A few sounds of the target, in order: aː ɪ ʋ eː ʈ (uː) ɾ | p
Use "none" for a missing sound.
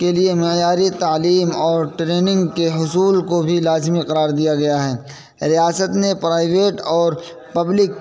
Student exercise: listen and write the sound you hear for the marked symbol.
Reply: ɔː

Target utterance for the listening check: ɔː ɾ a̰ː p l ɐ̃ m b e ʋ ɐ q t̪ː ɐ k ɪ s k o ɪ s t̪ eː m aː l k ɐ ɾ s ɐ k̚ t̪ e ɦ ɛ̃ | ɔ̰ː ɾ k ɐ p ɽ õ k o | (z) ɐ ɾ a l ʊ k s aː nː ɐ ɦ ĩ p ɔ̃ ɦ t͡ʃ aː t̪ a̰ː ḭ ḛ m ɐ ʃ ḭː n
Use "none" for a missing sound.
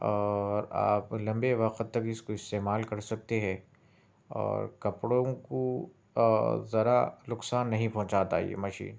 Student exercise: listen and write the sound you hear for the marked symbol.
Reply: z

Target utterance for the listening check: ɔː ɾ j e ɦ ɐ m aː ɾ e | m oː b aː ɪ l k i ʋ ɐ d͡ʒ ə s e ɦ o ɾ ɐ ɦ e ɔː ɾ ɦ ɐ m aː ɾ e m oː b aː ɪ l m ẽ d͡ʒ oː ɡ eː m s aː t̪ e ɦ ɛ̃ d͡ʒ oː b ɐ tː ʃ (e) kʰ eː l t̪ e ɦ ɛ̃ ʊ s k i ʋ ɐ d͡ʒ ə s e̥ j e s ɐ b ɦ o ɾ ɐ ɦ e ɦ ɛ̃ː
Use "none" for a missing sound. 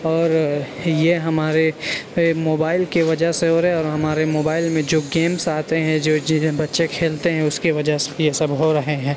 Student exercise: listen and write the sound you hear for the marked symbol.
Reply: e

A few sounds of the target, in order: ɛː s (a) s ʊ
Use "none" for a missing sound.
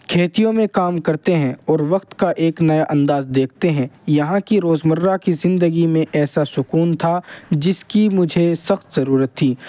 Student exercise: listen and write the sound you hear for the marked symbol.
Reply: a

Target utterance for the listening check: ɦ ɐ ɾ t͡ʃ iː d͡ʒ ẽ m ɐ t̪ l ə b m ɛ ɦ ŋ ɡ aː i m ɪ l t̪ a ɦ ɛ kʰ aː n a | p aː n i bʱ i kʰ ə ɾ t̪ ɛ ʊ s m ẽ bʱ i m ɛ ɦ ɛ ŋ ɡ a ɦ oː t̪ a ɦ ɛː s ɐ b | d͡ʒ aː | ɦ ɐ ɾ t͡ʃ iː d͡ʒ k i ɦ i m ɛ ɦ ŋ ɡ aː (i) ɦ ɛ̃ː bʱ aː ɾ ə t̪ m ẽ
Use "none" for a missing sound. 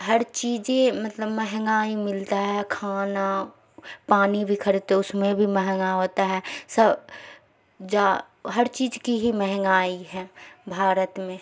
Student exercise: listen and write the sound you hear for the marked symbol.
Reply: i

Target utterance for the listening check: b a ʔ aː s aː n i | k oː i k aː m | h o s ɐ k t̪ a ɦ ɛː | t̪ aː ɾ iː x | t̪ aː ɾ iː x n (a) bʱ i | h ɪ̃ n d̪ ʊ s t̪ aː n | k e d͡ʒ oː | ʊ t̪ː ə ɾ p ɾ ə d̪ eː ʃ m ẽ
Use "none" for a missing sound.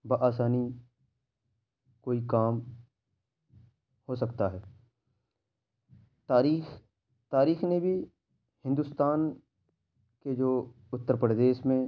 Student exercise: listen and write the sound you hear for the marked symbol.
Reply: e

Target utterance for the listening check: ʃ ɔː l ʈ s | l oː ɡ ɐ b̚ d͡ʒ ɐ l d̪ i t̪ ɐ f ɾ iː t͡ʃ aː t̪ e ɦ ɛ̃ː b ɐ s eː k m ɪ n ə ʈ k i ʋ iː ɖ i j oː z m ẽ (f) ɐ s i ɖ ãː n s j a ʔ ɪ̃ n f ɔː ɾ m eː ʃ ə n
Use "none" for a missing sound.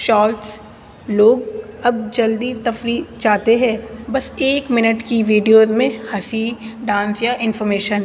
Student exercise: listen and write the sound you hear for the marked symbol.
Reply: h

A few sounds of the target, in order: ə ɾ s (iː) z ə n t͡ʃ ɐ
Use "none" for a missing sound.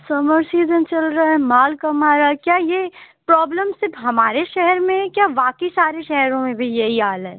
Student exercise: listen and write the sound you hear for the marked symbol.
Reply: iː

